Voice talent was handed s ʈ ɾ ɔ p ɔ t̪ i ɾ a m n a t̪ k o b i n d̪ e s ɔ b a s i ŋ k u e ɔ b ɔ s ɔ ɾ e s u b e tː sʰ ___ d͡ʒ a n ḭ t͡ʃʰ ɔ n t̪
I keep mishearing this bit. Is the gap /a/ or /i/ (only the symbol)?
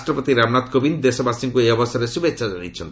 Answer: a